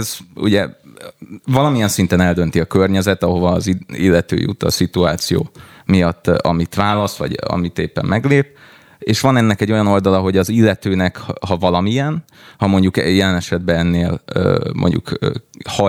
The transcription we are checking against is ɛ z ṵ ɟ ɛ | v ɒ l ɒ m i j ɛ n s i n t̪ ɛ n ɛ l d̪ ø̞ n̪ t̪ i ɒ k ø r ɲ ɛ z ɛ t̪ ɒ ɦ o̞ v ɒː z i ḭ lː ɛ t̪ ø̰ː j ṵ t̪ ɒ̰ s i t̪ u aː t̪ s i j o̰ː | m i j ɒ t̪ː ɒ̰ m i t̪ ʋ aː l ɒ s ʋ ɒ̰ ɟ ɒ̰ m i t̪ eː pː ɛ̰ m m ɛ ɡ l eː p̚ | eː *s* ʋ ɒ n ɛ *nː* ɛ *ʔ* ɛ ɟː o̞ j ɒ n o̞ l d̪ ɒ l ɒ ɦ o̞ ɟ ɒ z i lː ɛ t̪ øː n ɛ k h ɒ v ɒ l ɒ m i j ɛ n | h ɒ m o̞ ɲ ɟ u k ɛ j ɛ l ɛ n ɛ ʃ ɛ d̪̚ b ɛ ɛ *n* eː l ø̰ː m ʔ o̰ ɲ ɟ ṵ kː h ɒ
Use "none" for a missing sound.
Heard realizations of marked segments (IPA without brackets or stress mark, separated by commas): ʃ, nː, k, nː